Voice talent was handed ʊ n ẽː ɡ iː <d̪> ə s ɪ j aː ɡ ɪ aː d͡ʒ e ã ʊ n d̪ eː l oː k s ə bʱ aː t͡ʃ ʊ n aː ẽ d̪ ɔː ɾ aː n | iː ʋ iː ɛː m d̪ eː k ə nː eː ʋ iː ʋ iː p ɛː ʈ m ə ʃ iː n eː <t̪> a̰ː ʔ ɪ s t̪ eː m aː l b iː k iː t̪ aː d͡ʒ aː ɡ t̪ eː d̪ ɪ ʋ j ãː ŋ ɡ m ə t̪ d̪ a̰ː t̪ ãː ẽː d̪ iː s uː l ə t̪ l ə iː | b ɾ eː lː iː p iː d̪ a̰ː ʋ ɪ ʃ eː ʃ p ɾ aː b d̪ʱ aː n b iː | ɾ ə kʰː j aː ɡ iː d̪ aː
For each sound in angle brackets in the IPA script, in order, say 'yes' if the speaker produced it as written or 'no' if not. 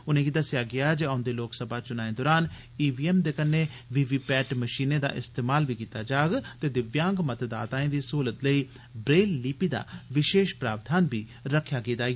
yes, no

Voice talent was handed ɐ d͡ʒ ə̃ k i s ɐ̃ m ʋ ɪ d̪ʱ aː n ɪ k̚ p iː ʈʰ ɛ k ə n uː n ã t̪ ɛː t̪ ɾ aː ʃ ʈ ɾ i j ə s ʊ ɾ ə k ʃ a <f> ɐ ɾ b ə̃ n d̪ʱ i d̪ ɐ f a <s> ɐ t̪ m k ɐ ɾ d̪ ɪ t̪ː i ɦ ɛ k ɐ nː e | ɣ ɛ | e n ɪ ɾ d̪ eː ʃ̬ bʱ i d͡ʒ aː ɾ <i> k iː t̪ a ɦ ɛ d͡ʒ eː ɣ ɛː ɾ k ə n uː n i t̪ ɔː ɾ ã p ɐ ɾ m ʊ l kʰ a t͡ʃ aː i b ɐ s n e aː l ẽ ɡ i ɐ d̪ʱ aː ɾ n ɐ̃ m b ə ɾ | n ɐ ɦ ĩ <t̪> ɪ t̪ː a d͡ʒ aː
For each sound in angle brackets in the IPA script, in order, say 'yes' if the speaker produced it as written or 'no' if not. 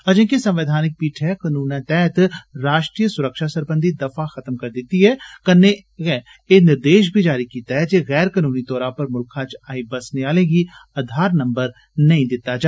no, no, yes, no

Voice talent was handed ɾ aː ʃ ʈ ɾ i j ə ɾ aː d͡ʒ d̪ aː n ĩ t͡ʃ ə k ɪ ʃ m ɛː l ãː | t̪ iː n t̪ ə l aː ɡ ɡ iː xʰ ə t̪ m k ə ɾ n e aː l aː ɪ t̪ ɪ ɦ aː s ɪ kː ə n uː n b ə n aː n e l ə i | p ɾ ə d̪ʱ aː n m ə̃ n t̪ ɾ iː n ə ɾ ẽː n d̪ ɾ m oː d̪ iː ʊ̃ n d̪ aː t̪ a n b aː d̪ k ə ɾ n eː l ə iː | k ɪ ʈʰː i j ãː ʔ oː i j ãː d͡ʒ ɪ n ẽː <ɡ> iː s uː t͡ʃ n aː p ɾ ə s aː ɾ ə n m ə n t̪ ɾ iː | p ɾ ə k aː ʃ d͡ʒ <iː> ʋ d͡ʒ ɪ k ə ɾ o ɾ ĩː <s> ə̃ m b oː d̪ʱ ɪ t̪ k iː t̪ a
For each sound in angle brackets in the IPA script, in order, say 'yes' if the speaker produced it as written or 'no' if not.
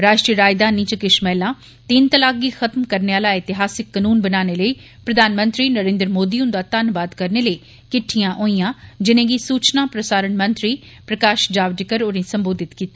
yes, no, yes

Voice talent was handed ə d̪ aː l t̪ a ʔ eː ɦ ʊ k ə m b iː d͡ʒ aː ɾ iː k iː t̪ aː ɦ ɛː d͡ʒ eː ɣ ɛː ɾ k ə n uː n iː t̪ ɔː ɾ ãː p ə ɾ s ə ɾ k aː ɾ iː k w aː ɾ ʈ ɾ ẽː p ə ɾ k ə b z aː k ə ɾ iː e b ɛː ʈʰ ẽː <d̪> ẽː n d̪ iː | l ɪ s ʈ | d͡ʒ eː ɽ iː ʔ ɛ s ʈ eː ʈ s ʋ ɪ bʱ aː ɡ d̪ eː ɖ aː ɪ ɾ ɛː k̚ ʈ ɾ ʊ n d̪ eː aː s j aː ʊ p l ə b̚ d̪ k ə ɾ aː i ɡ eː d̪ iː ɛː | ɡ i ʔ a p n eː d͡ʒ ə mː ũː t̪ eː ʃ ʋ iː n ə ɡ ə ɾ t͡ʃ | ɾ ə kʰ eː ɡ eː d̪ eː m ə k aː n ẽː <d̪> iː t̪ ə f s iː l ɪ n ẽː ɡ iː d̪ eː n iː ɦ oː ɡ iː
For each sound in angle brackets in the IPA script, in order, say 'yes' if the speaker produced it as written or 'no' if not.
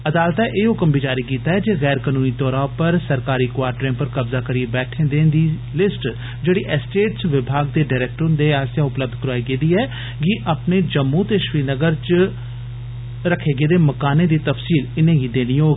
yes, yes

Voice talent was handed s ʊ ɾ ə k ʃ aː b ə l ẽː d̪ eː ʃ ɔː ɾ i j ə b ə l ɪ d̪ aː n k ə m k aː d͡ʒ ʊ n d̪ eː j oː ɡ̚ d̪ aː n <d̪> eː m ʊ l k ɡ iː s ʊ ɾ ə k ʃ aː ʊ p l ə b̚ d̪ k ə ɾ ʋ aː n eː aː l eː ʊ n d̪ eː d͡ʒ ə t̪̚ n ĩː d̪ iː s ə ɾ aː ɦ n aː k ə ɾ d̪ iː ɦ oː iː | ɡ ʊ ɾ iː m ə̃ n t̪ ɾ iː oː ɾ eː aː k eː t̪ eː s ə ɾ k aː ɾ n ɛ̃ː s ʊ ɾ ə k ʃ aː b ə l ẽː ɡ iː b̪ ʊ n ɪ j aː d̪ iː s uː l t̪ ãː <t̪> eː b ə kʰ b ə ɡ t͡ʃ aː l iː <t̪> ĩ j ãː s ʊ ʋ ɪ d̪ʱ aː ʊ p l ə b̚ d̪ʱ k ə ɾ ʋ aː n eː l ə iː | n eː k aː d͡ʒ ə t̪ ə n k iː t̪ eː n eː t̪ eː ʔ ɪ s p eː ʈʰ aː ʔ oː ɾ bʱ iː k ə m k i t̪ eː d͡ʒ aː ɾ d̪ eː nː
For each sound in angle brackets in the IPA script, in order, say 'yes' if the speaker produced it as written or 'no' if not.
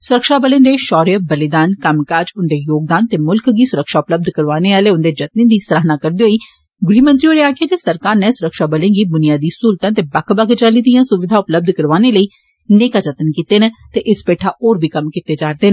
no, yes, no

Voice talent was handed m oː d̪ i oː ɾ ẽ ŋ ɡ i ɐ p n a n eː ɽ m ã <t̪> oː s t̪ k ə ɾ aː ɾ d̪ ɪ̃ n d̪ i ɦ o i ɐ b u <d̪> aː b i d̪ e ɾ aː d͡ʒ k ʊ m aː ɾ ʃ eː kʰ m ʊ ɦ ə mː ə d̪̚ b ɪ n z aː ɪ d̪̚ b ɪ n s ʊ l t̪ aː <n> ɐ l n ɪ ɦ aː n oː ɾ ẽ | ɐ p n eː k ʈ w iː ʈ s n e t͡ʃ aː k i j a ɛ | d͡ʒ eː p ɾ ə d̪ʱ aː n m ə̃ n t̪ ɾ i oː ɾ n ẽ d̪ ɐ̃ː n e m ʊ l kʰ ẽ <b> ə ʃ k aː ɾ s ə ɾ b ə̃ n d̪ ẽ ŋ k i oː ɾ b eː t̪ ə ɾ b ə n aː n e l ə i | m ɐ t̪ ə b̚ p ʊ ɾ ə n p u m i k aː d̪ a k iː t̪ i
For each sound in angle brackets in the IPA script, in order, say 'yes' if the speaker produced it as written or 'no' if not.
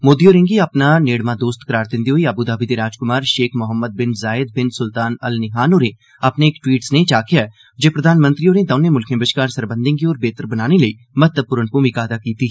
no, yes, yes, yes

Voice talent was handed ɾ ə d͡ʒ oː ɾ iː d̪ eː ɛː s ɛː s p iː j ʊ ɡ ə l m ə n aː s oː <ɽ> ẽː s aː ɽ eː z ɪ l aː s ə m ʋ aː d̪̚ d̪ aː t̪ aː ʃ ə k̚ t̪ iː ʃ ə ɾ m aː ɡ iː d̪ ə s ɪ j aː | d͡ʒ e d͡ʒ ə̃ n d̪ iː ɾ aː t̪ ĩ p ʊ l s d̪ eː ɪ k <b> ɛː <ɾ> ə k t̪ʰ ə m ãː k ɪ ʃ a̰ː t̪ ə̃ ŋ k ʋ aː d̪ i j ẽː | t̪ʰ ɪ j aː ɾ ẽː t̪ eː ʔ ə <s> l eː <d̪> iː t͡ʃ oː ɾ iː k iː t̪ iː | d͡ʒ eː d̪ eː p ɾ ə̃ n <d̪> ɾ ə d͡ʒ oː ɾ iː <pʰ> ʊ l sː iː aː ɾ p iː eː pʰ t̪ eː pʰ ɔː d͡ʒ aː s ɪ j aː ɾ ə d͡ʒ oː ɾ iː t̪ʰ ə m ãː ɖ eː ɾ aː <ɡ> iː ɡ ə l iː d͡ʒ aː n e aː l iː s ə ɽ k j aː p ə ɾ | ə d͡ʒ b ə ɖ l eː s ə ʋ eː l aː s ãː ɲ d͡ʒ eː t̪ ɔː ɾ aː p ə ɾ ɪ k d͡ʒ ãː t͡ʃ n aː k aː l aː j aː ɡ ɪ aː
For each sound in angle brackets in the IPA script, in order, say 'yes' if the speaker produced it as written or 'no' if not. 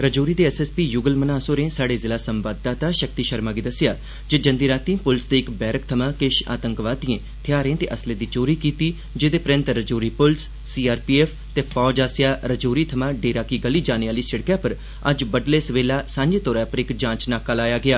no, yes, yes, yes, yes, no, no, no

